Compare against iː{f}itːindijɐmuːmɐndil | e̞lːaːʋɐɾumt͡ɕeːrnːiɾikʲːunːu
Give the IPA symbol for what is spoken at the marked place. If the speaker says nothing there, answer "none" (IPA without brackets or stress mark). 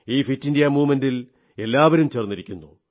f